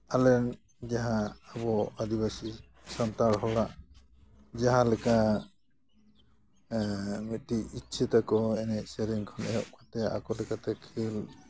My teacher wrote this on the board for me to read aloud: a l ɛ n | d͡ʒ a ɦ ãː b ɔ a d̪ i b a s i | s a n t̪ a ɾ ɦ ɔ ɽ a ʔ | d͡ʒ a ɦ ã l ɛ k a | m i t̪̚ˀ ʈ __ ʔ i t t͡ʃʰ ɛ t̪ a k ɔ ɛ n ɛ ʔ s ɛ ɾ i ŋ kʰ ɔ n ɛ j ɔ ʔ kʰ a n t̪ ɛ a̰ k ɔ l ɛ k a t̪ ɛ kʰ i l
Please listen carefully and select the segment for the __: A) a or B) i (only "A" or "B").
B